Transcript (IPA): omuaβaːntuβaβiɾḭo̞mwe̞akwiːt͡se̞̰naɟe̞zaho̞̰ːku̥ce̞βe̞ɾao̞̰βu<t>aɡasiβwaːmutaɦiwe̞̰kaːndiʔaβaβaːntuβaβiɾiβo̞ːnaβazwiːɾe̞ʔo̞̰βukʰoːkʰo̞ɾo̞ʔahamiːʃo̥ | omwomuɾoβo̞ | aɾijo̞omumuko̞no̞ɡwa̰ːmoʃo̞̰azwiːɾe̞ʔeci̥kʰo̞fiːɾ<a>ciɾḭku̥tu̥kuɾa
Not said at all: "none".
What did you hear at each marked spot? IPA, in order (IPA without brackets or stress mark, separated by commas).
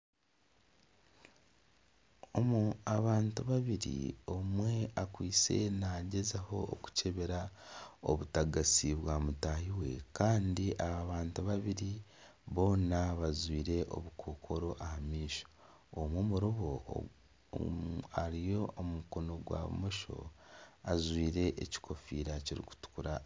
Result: t, a